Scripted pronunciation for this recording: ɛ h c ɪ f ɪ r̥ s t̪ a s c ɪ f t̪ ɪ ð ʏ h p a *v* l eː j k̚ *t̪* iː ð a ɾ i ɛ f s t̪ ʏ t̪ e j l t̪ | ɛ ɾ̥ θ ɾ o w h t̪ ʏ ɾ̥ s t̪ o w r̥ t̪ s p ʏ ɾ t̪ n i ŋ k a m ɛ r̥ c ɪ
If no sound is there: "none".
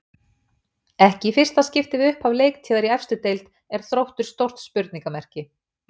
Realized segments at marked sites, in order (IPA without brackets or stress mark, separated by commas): v, t̪ʰ